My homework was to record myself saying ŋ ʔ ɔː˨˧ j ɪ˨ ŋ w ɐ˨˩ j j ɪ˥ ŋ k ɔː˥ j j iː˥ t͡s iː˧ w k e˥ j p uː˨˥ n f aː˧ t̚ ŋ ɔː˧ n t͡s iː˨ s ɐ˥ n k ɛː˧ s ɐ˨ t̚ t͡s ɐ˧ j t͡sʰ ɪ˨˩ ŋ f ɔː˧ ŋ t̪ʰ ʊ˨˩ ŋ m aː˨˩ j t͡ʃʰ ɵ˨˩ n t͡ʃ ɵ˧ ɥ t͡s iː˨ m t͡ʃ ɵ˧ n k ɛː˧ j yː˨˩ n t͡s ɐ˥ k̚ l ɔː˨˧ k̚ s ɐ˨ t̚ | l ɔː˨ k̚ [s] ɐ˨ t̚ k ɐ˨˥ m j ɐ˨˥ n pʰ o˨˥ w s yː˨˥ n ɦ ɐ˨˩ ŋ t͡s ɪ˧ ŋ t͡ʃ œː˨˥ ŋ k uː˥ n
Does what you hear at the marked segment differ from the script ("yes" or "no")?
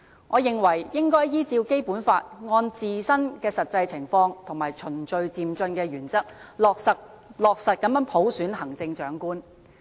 no